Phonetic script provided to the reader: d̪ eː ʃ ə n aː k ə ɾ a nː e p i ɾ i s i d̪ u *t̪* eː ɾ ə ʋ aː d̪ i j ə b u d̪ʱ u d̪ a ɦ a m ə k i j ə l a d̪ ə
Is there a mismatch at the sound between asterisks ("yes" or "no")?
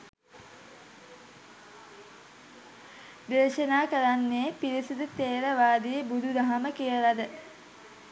no